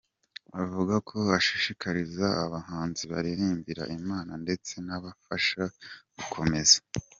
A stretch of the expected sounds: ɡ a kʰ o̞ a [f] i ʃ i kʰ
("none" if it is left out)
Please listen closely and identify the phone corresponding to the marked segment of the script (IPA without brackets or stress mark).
ʃ